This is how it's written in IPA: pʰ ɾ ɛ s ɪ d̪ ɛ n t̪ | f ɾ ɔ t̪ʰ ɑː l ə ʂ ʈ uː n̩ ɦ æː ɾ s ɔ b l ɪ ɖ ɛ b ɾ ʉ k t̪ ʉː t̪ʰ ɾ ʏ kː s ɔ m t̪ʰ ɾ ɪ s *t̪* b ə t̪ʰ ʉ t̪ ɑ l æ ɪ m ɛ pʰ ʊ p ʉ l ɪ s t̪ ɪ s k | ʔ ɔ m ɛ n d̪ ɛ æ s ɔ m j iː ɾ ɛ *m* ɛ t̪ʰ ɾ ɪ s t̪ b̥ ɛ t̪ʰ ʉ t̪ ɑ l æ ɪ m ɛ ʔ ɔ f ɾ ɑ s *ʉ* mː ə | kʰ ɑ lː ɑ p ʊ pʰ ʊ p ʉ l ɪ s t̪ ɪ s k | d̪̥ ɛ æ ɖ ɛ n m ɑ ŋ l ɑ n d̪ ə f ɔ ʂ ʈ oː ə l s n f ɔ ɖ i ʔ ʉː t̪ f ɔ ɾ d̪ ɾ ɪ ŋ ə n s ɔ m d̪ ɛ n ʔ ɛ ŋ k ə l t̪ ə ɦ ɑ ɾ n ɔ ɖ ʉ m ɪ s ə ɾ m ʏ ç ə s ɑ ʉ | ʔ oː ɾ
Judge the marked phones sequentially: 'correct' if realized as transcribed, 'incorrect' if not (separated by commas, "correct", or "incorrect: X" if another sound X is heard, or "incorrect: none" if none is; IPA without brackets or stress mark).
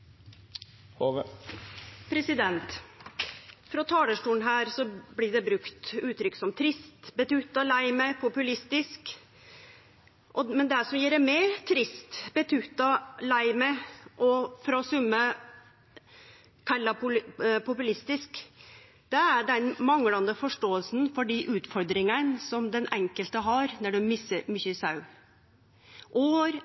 correct, correct, correct